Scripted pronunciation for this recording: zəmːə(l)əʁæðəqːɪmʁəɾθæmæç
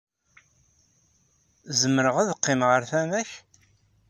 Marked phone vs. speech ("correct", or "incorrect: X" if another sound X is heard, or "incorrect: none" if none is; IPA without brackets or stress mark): incorrect: ɾ